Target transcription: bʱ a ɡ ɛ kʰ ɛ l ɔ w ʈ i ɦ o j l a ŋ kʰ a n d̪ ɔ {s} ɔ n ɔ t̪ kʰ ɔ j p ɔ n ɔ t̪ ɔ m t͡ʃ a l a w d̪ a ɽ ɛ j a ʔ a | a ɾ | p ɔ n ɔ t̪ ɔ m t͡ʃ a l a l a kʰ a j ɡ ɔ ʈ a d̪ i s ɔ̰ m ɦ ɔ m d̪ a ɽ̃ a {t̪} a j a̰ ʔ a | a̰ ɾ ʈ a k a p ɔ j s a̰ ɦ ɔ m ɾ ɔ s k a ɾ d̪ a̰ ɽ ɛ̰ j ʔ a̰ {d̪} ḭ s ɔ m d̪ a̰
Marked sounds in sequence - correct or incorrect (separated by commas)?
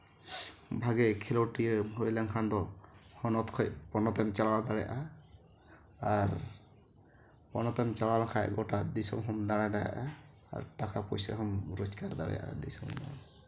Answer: incorrect, incorrect, correct